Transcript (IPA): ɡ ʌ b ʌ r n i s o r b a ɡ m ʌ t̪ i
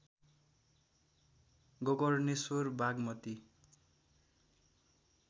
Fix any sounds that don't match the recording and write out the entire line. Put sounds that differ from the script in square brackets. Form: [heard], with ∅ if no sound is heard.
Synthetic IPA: ɡ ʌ [ɡ] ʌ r n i s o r b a ɡ m ʌ t̪ i